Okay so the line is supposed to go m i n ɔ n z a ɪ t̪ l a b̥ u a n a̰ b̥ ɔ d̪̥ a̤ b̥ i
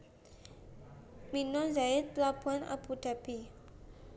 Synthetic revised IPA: m i n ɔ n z a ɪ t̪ l a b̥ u a n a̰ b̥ u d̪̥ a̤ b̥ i